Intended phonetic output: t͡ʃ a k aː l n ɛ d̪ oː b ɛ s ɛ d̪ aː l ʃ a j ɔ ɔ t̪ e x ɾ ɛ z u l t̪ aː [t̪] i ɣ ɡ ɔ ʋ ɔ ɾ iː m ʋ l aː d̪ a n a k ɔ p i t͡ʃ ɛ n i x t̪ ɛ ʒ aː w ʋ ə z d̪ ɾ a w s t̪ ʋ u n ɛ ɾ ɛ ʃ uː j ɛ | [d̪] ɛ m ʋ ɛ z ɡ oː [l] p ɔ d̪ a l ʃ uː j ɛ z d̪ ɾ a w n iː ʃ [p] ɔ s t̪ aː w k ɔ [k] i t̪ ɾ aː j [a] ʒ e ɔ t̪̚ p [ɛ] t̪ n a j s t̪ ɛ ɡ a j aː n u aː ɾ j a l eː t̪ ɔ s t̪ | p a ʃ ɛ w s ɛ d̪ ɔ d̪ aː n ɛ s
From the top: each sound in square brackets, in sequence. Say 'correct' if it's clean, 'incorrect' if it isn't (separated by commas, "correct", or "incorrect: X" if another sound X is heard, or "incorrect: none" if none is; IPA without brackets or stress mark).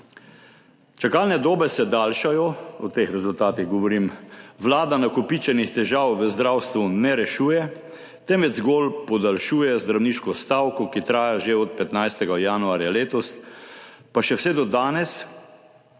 correct, incorrect: t̪, correct, incorrect: k, correct, correct, correct